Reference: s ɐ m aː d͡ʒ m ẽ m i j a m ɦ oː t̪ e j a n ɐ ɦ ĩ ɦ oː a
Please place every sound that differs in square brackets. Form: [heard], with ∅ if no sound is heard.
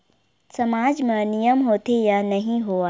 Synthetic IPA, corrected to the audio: s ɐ m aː d͡ʒ m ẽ [n] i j [ə] m ɦ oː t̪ e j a n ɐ ɦ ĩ ɦ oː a